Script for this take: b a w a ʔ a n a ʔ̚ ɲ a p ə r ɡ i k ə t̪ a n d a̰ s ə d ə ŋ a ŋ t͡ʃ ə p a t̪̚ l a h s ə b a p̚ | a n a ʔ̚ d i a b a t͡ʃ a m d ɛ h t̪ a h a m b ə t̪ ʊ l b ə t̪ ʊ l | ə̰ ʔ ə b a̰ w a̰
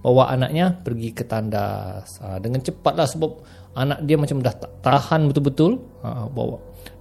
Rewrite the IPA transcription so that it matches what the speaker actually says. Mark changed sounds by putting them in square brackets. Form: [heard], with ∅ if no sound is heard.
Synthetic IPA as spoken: b a w a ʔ a n a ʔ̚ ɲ a p ə r ɡ i k ə t̪ a n d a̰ s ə d ə ŋ a [n] t͡ʃ ə p a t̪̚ l a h s ə b a p̚ | a n a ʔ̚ d i a [m] a t͡ʃ a m d [a] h t̪ a h a [n] b ə t̪ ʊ l b ə t̪ ʊ l | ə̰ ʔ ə b a̰ w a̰